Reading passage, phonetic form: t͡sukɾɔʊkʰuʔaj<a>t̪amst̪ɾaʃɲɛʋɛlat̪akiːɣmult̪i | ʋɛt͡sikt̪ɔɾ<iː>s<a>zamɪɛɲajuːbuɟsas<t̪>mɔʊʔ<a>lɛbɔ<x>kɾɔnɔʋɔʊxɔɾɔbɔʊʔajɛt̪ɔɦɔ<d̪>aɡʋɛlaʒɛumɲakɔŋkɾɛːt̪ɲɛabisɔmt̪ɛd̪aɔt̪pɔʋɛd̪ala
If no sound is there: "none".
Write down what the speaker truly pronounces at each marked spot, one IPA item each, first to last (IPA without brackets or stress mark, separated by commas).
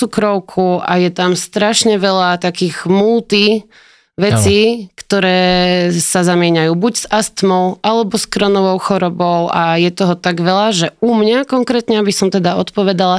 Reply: ɛ, ɛː, a, t̪, a, s, t̪